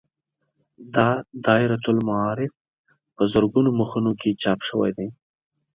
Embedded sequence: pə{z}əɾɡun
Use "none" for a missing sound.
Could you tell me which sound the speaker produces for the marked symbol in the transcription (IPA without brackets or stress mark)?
z